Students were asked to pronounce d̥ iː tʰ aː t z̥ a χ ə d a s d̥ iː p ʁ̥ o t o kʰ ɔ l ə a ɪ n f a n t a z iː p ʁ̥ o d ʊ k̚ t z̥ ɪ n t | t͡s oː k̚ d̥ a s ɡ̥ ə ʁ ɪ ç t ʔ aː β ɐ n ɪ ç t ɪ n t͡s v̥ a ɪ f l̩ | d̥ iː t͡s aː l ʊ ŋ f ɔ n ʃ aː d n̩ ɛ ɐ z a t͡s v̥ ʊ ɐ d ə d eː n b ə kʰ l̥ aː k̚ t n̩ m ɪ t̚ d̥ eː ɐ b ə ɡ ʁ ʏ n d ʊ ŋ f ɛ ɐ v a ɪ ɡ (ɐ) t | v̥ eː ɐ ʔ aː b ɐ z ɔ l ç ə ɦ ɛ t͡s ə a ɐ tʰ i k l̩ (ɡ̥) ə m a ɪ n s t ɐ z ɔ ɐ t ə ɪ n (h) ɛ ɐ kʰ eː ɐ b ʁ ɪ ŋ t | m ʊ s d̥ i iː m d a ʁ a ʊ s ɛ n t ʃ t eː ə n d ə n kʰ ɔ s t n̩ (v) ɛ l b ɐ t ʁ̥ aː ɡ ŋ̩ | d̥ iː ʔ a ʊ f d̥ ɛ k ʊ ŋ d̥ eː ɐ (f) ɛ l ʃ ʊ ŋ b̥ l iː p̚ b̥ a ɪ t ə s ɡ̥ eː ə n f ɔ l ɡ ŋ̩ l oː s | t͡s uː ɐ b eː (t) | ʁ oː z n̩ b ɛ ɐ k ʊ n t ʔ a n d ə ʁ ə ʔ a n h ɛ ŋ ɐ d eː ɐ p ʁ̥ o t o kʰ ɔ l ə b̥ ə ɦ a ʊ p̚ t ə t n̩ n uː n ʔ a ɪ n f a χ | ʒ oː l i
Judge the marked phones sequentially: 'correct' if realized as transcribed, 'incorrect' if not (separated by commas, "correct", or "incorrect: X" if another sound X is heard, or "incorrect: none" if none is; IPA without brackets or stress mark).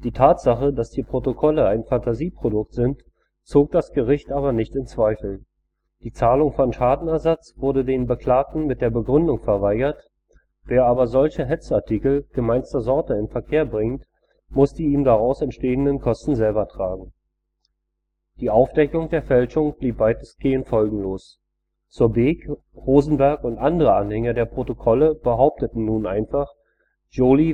correct, correct, incorrect: f, incorrect: z, correct, incorrect: k